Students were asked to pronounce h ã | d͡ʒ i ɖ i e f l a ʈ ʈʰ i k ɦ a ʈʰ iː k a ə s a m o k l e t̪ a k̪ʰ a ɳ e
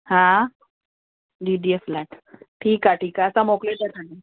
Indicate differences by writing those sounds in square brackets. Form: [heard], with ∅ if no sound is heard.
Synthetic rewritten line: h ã | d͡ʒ i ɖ i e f l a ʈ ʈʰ [iː] k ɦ a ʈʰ iː k a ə s a m o k l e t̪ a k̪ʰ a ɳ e